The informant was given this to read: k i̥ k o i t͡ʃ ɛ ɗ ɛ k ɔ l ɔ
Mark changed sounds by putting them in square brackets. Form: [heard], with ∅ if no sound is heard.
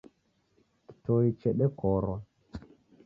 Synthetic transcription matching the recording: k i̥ [t] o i t͡ʃ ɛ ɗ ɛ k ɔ [ɾ] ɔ

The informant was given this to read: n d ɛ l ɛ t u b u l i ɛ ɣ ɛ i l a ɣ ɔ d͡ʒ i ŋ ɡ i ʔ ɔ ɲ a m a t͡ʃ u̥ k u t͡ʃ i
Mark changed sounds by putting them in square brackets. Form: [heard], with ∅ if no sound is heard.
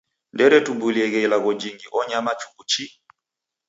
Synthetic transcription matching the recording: n d ɛ [ɾ] ɛ t u b u l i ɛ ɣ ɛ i l a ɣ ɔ d͡ʒ i ŋ ɡ i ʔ ɔ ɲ a m a t͡ʃ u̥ k u t͡ʃ i

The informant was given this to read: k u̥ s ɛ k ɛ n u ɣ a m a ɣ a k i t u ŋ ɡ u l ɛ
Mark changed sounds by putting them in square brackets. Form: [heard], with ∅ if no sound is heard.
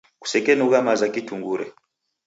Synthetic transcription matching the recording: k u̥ s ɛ k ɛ n u ɣ a m a [z] a k i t u ŋ ɡ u [ɾ] ɛ

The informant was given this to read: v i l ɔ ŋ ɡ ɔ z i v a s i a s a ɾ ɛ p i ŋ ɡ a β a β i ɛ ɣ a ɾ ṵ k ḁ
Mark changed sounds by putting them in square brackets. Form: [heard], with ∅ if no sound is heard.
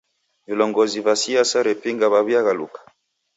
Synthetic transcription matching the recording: v i l ɔ ŋ ɡ ɔ z i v a s i a s a ɾ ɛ p i ŋ ɡ a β a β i [a] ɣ a [l] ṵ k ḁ

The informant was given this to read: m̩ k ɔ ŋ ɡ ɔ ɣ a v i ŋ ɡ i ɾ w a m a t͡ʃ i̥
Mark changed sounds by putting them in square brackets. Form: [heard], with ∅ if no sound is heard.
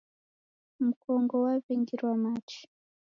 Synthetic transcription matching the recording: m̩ k ɔ ŋ ɡ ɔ [w] a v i ŋ ɡ i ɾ w a m a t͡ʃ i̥

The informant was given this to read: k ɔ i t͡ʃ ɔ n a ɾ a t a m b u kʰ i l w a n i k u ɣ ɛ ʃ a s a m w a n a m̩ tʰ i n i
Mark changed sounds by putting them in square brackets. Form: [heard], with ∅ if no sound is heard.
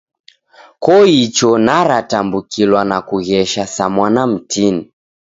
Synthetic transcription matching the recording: k ɔ i t͡ʃ ɔ n a ɾ a t a m b u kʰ i l w a n [a] k u ɣ ɛ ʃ a s a m w a n a m̩ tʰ i n i

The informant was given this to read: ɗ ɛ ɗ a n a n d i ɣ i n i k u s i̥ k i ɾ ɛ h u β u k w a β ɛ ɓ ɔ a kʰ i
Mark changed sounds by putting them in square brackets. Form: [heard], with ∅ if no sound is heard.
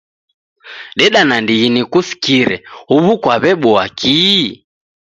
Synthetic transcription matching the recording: ɗ ɛ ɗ a n a n d i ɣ i n i k u s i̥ k i ɾ ɛ h u β u k w a β ɛ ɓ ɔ a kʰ i

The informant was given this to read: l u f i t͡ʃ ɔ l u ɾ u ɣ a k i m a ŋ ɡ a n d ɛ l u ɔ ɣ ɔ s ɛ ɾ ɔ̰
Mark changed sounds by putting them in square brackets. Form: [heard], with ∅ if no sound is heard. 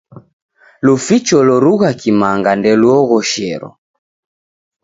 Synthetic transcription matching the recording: l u f i t͡ʃ ɔ l [ɔ] ɾ u ɣ a k i m a ŋ ɡ a n d ɛ l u ɔ ɣ ɔ [ʃ] ɛ ɾ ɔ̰

